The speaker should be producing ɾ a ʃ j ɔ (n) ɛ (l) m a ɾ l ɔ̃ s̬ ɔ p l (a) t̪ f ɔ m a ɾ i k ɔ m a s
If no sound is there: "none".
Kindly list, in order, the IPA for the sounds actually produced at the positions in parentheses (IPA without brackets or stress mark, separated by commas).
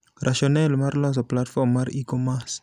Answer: n, l, a